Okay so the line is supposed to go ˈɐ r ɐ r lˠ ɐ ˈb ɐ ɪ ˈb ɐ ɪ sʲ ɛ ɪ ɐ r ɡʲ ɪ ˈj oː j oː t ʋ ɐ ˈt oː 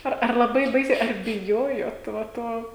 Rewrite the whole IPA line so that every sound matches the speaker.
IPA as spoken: ˈɐ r ɐ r lˠ ɐ ˈb ɐ ɪ ˈb ɐ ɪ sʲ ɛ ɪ ɐ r bʲ ɪ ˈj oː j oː t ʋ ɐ ˈt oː